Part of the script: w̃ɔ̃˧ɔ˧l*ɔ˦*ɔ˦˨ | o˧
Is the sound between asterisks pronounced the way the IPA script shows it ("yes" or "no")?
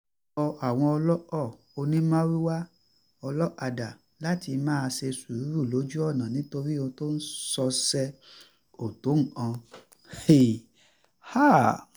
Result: yes